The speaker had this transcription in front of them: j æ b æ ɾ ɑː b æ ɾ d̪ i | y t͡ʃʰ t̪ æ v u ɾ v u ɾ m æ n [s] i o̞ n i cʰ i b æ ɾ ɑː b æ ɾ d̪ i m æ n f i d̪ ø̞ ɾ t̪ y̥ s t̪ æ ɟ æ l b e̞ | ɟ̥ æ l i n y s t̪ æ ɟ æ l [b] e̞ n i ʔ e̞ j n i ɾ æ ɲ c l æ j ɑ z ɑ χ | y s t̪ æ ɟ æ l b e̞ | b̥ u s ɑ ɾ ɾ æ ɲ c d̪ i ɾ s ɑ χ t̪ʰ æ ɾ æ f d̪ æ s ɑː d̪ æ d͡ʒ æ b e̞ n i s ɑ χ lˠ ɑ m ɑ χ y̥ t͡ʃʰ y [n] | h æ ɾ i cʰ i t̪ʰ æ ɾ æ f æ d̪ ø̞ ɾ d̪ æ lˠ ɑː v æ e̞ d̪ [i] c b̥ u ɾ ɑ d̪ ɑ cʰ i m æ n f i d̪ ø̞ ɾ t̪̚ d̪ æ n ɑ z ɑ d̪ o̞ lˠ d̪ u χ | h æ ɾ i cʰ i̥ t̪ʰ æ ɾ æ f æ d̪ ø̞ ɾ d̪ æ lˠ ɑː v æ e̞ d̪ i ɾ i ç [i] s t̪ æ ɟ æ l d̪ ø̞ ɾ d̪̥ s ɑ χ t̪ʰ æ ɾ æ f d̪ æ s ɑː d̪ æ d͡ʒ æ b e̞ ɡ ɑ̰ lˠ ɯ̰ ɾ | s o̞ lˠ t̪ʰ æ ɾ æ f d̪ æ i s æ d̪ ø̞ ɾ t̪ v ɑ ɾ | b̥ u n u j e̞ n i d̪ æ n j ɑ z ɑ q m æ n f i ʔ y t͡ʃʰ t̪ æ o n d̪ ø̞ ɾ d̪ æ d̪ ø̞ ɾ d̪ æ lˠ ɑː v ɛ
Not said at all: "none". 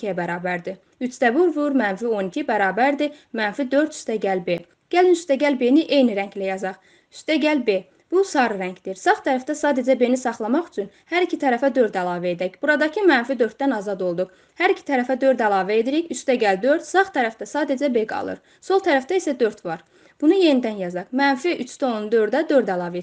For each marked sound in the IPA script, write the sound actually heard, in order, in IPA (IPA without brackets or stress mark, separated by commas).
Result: f, b, n, æ, y